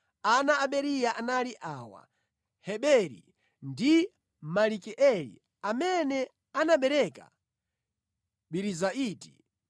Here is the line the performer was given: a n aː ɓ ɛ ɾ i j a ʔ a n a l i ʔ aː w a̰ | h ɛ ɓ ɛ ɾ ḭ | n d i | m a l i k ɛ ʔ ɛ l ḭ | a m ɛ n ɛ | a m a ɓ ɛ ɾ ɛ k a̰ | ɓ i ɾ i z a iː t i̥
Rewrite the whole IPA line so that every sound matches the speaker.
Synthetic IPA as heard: a n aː ɓ ɛ ɾ i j a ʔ a n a l i ʔ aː w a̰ | h ɛ ɓ ɛ ɾ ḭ | n d i | m a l i k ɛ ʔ ɛ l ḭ | a m ɛ n ɛ | a n a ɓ ɛ ɾ ɛ k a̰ | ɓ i ɾ i z a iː t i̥